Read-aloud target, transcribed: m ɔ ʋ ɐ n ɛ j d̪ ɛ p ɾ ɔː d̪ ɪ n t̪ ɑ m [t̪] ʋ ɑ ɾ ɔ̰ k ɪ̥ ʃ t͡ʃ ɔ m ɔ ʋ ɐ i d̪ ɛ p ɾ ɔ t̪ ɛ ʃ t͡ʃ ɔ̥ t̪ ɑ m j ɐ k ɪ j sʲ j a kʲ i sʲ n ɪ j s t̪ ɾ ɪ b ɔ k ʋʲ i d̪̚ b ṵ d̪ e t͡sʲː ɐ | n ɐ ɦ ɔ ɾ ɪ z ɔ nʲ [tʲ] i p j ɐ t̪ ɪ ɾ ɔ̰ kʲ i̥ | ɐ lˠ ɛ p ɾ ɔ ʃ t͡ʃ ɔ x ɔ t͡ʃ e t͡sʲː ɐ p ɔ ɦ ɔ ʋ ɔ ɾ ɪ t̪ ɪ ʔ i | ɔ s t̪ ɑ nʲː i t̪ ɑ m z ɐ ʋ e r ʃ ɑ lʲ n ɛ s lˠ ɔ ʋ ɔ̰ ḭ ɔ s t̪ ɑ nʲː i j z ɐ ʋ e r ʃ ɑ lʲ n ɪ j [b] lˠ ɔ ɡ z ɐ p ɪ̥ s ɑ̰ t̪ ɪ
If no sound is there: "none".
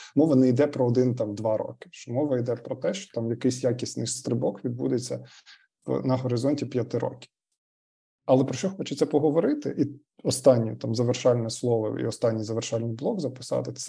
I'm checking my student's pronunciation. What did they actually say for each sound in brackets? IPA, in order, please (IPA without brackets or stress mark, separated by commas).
d̪, tʲ, b